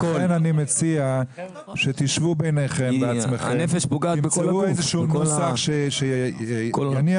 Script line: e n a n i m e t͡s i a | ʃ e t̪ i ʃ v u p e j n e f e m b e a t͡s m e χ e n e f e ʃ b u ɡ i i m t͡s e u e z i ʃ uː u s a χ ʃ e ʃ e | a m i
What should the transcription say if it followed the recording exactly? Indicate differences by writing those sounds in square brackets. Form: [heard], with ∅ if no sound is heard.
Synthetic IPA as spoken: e n a n i m e t͡s i a | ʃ e t̪ i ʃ v u [b] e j n e [χ] e m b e a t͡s m e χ e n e f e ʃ b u ɡ [a] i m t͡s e u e z [e] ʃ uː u s a χ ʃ e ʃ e | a [n] i